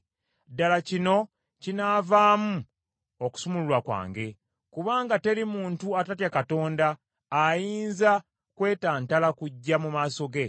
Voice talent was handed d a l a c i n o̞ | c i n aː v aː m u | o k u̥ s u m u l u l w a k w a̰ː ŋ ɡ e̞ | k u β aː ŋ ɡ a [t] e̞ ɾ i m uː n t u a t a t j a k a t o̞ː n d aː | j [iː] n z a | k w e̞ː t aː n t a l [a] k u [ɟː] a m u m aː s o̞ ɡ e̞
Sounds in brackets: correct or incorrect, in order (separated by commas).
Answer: correct, correct, correct, correct